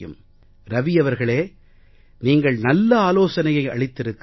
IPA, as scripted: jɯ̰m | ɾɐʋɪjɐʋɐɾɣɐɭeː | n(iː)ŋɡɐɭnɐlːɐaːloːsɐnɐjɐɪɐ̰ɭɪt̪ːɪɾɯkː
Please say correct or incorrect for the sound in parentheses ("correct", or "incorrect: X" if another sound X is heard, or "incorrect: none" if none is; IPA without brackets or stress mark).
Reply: correct